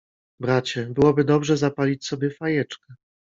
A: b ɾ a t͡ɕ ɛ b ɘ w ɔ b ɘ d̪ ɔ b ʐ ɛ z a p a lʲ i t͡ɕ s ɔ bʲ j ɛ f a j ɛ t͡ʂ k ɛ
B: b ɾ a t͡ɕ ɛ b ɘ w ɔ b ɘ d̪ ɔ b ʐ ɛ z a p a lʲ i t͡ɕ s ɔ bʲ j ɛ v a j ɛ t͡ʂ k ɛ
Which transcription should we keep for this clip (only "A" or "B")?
A